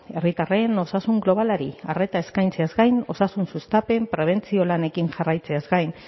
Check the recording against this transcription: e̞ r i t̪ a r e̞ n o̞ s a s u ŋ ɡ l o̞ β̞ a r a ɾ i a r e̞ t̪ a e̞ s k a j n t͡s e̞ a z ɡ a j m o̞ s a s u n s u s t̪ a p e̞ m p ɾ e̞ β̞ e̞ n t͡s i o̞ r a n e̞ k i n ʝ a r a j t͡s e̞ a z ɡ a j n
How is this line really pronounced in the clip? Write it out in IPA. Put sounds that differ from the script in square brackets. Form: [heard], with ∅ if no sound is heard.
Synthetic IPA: e̞ r i t̪ a r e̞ n o̞ s a s u ŋ ɡ l o̞ β̞ a [l] a ɾ i a r e̞ t̪ a e̞ s k a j n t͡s e̞ a z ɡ a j [n] o̞ s a s u n s u s t̪ a p e̞ m p ɾ e̞ β̞ e̞ n t͡s i o̞ [l] a n e̞ k i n ʝ a r a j t͡s e̞ a z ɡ a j n